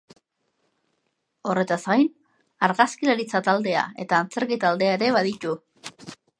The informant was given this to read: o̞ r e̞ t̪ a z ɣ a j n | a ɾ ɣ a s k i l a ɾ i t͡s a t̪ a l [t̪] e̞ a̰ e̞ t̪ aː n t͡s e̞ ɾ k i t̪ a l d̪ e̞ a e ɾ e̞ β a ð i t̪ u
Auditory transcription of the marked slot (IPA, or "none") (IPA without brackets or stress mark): d̪